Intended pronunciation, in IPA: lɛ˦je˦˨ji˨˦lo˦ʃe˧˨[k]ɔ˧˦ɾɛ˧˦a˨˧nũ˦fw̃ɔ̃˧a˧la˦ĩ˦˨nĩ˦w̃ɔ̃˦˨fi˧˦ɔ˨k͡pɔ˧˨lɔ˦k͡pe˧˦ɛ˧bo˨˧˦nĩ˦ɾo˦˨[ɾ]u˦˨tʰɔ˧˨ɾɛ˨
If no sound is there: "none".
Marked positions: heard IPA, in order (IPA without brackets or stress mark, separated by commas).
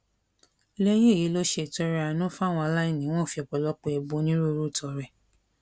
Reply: t, ɾ